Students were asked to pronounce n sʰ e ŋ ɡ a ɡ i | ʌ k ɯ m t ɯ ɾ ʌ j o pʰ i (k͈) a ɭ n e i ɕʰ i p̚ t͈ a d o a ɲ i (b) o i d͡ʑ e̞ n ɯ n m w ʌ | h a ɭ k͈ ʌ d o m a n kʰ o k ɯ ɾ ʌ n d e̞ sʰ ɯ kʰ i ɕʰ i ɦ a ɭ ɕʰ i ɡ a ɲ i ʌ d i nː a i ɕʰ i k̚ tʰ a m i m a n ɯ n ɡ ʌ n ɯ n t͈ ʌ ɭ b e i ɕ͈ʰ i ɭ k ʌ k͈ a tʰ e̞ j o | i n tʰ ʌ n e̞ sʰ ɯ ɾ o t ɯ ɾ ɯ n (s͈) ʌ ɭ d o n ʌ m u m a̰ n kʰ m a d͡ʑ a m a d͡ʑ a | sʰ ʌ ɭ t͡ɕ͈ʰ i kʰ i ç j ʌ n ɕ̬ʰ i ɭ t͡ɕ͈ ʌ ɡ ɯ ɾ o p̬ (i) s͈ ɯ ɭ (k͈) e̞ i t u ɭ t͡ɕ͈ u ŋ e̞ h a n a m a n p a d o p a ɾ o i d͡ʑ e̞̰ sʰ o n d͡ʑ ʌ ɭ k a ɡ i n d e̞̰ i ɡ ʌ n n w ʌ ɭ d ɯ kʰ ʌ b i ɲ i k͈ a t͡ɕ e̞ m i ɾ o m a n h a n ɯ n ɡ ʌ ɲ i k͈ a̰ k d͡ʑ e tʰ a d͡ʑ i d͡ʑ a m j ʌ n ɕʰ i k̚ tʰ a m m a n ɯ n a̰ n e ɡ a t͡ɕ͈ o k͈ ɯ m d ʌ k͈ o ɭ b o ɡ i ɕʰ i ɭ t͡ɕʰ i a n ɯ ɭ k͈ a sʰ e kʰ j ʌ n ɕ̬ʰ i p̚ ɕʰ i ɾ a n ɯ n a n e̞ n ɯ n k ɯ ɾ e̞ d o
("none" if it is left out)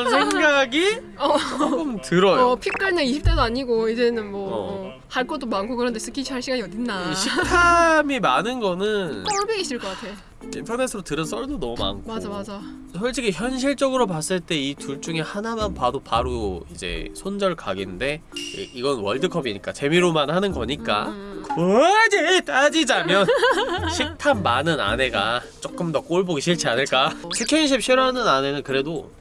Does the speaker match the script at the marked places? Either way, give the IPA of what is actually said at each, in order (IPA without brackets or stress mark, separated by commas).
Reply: k͈, ɡ, s͈, a, t͈